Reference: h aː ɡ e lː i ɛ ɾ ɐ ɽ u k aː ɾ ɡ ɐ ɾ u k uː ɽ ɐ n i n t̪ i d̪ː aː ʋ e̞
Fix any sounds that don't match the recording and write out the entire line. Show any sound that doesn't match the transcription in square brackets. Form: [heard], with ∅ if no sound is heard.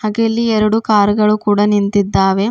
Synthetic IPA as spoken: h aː ɡ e lː i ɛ ɾ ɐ ɽ u k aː ɾ ɡ ɐ [ɭ] u k uː ɽ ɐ n i n t̪ i d̪ː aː ʋ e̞